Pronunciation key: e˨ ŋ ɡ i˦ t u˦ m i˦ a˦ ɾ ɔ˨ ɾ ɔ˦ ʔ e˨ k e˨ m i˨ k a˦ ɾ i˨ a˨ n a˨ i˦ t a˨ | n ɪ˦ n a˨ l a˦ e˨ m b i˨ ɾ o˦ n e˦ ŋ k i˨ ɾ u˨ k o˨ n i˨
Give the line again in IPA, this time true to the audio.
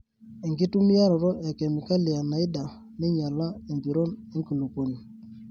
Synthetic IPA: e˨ ŋ ɡ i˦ t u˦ m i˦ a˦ ɾ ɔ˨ ɾ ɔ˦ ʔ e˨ k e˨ m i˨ k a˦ l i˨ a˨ n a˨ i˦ d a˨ | n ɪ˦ ɲ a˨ l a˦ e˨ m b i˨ ɾ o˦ n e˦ ŋ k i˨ l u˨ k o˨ n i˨